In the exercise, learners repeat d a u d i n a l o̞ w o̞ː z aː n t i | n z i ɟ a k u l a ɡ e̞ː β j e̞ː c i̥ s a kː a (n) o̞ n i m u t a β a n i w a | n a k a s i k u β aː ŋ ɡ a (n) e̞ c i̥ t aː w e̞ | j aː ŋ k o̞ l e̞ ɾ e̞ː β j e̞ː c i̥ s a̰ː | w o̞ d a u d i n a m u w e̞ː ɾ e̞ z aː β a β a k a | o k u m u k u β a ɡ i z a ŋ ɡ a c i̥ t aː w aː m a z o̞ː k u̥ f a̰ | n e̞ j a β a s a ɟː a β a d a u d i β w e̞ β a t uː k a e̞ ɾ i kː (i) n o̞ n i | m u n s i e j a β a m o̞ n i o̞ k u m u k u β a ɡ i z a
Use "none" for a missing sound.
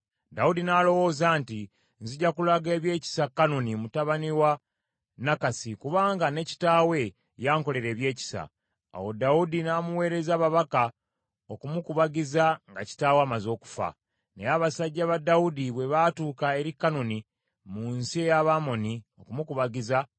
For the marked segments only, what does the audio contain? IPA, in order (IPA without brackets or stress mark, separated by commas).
n, n, a